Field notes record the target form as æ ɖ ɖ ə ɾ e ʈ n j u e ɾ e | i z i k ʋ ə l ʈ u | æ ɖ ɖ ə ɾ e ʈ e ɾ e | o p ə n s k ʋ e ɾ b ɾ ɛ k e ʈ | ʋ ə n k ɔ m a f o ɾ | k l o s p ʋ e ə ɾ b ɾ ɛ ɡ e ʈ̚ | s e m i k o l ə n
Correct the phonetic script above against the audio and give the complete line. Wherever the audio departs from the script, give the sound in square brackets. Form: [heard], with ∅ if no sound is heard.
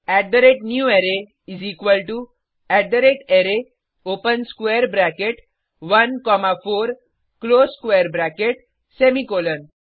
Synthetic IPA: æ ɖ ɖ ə ɾ e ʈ n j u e ɾ e | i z i k ʋ ə l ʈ u | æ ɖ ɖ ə ɾ e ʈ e ɾ e | o p ə n s k ʋ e ɾ b ɾ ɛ k e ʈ | ʋ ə n k ɔ m a f o ɾ | k l o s [k] ʋ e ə ɾ b ɾ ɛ [k] e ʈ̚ | s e m i k o l ə n

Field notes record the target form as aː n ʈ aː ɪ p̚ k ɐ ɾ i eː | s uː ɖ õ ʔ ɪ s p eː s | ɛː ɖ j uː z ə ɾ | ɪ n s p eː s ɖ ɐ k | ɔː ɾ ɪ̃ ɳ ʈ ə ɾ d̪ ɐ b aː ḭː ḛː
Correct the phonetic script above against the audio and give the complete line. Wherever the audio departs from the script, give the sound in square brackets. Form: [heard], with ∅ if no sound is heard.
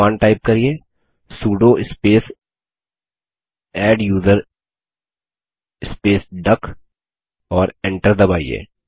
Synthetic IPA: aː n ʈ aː ɪ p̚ k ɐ ɾ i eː | s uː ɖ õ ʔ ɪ s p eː s | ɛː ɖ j uː z ə ɾ | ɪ [∅] s p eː s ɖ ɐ k | ɔː ɾ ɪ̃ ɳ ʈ ə ɾ d̪ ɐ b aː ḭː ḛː

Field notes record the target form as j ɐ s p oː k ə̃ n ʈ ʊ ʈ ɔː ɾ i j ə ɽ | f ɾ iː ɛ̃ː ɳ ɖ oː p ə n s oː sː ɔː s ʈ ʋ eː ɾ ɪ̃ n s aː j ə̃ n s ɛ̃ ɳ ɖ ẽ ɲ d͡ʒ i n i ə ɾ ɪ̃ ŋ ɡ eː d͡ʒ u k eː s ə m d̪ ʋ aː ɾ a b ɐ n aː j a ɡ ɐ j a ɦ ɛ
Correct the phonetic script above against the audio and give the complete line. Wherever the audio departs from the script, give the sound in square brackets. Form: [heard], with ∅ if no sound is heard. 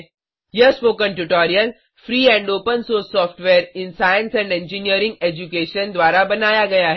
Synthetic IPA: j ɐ s p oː k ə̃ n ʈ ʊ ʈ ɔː ɾ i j ə [l] | f ɾ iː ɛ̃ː ɳ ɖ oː p ə n s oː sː ɔː [f] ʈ ʋ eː ɾ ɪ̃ n s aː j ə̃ n s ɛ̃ ɳ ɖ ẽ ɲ d͡ʒ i n i ə ɾ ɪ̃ ŋ ɡ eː d͡ʒ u k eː [ʃ] ə [n] d̪ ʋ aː ɾ a b ɐ n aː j a ɡ ɐ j a ɦ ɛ

